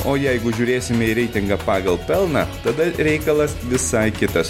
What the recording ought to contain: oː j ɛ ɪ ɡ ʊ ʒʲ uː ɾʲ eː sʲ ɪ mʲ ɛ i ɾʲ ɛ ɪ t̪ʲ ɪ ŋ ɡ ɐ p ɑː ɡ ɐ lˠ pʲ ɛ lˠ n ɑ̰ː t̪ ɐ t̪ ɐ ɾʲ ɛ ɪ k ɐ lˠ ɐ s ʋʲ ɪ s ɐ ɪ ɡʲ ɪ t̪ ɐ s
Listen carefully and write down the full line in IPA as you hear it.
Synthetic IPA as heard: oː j ɛ ɪ ɡ ʊ ʒʲ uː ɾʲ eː sʲ ɪ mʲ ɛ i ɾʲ ɛ ɪ t̪ʲ ɪ ŋ ɡ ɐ p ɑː ɡ ɐ lˠ pʲ ɛ lˠ n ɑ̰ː t̪ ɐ d̪ ɐ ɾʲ ɛ ɪ k ɐ lˠ ɐ s ʋʲ ɪ s ɐ ɪ kʲ ɪ t̪ ɐ s